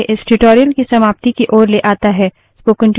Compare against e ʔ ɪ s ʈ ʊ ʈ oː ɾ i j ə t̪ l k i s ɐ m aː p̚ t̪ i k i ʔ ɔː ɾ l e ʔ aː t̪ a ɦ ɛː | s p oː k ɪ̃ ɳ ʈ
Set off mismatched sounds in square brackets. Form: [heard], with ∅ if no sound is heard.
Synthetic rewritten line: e ʔ ɪ s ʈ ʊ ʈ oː ɾ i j ə [∅] l k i s ɐ m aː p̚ t̪ i k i ʔ ɔː ɾ l e ʔ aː t̪ a ɦ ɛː | s p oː k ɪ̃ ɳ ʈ